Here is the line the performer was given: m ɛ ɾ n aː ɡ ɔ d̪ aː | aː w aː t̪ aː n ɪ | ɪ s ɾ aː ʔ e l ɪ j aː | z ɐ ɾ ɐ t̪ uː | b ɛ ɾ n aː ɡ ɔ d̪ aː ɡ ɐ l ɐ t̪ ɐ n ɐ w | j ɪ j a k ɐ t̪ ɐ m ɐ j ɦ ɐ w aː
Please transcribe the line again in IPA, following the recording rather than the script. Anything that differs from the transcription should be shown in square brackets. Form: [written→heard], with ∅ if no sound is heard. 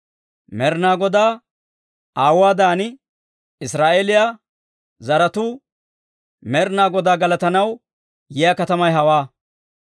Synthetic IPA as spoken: m ɛ ɾ n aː ɡ ɔ d̪ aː | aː w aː [t̪→d̪] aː n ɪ | ɪ s ɾ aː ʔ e l ɪ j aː | z ɐ ɾ ɐ t̪ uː | [b→m] ɛ ɾ n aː ɡ ɔ d̪ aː ɡ ɐ l ɐ t̪ ɐ n ɐ w | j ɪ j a k ɐ t̪ ɐ m ɐ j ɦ ɐ w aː